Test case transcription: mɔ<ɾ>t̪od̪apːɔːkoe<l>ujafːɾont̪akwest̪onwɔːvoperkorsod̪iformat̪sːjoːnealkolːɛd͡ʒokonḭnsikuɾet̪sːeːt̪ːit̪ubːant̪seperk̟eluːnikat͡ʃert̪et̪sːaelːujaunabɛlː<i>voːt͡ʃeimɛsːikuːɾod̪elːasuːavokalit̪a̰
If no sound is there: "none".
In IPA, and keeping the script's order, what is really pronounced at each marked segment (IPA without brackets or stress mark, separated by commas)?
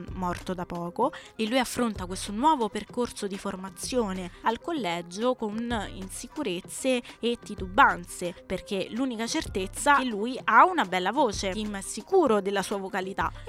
r, lː, a